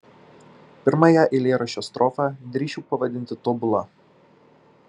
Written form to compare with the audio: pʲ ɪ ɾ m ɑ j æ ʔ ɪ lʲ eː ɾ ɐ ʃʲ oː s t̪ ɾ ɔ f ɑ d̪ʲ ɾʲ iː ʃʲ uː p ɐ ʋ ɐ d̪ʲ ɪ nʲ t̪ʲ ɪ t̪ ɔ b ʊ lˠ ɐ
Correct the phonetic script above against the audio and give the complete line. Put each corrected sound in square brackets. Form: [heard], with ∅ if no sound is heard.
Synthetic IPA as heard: pʲ ɪ ɾ m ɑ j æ ʔ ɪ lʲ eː ɾ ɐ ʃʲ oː s t̪ ɾ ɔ f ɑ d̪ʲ ɾʲ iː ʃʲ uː p ɐ ʋ ɐ d̪ʲ ɪ nʲ t̪ʲ ɪ t̪ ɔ b ʊ lˠ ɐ